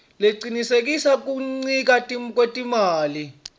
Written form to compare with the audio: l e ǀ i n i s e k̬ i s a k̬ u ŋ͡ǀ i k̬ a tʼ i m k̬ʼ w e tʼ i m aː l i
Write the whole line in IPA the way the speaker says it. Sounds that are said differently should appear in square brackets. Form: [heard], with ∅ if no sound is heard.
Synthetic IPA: l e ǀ i n i s e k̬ i s a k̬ u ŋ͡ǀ i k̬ a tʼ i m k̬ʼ w e tʼ i m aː l i

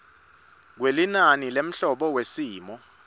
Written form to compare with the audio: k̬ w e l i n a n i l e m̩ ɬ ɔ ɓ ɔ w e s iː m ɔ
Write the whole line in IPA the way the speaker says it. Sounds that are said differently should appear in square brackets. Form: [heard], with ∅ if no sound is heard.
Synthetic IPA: k̬ w e l i n a n i l e m̩ ɬ ɔ ɓ ɔ w e s iː m ɔ

